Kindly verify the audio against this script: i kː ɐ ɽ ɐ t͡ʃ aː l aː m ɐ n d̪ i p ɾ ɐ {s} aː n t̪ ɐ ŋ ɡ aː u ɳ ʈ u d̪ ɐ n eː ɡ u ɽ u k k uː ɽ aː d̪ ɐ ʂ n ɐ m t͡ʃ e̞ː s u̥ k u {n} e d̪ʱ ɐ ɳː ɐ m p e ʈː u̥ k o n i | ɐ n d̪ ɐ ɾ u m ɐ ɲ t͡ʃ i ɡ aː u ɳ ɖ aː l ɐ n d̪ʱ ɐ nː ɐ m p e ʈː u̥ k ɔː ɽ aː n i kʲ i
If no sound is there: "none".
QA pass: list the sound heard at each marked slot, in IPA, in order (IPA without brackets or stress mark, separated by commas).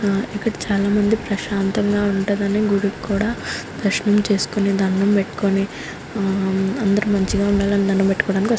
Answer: ʃ, n